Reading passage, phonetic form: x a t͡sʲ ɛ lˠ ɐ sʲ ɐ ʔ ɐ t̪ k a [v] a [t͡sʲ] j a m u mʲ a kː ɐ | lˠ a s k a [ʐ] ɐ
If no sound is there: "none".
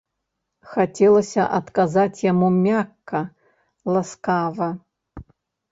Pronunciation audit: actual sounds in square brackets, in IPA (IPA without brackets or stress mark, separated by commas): z, t͡sʲ, v